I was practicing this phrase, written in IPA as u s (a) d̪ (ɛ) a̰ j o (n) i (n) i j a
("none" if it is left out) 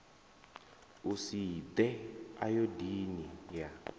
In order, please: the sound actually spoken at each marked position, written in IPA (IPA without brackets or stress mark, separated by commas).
i, ɛ, d, n